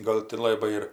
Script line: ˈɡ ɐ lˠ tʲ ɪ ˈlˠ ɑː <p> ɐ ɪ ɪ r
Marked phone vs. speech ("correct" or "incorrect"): incorrect